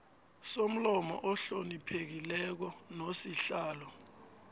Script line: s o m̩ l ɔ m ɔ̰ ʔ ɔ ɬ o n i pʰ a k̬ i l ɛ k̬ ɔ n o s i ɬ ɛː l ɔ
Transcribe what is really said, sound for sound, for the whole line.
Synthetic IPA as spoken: s o m̩ l ɔ m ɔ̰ ʔ ɔ ɬ o n i pʰ e k̬ i l ɛ k̬ ɔ n o s i ɬ aː l ɔ